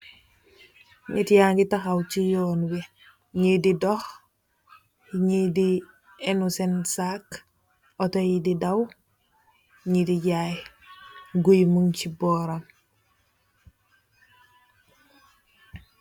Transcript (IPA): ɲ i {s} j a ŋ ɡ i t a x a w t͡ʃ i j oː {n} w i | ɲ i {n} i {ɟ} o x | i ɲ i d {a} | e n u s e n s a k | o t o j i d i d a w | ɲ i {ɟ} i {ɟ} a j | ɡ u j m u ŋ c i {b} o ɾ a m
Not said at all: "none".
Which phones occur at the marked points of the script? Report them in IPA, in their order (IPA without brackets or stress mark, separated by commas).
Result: t, n, d, d, i, d, ɟ, b